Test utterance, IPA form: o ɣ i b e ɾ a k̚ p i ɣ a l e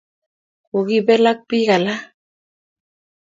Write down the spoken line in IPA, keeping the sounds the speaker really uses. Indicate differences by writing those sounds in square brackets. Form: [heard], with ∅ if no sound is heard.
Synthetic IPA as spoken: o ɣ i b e [l] a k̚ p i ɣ a l [a]

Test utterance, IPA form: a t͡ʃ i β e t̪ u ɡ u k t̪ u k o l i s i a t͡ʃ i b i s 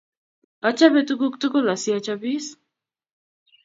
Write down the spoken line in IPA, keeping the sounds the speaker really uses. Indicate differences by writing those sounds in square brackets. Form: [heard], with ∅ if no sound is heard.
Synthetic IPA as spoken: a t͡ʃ [a] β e t̪ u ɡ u k t̪ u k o l [a] s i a t͡ʃ [a] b i s

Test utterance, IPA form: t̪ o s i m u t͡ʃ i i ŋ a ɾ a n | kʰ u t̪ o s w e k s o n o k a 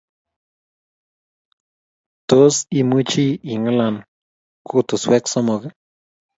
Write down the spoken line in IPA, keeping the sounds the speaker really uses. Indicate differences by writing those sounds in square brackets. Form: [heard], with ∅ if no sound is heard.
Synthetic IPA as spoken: t̪ o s i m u t͡ʃ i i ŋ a [l] a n | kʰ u t̪ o s w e k s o [m] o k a

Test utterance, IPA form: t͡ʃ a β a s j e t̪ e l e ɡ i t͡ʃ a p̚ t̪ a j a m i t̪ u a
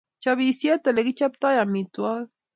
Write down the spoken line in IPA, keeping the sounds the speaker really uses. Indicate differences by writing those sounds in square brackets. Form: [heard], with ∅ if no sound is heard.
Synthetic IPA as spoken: t͡ʃ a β [i] s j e t̪ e l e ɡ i t͡ʃ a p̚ t̪ a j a m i t̪ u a

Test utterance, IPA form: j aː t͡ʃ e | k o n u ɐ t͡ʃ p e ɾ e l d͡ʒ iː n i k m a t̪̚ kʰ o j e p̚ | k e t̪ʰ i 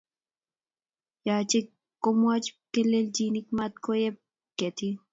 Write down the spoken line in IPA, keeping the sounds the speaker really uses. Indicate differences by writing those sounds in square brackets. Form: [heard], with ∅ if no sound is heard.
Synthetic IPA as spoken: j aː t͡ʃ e | k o [m] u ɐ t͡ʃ [k] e [l] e l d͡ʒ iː n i k m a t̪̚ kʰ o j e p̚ | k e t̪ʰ i

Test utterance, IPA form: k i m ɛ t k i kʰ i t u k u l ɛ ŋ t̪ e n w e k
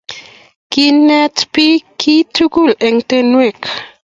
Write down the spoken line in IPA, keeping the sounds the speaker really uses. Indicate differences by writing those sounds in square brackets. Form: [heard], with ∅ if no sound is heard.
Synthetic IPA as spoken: k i [n] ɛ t [p] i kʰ i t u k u l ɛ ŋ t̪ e n w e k

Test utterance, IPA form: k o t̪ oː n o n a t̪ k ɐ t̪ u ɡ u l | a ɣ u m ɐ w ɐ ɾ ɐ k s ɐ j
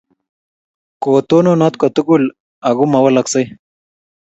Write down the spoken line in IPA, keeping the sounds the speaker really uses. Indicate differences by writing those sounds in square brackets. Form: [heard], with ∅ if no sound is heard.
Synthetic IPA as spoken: k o t̪ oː n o n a t̪ k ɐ t̪ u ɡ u l | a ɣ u m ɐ w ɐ [l] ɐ k s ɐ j

